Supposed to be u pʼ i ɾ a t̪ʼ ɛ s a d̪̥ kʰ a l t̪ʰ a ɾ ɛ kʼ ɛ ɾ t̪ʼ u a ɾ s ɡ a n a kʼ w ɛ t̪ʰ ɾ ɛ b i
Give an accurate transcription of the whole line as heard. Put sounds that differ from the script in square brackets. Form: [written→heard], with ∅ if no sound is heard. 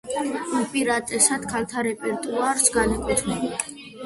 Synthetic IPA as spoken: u pʼ i ɾ a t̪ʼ ɛ s a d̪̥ kʰ a l t̪ʰ a ɾ ɛ [kʼ→pʼ] ɛ ɾ t̪ʼ u a ɾ s ɡ a n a kʼ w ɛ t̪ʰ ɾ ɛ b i